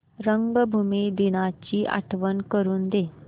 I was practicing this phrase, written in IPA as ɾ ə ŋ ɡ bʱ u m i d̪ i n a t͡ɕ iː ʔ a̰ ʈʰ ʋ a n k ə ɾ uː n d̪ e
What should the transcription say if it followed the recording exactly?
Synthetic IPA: ɾ ə ŋ ɡ bʱ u m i d̪ i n a t͡ɕ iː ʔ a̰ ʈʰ ʋ ə n k ə ɾ uː n d̪ e